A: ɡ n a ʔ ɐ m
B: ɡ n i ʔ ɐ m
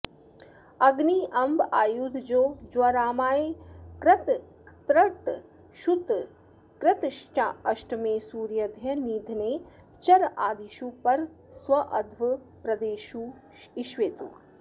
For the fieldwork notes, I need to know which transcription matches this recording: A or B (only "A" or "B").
B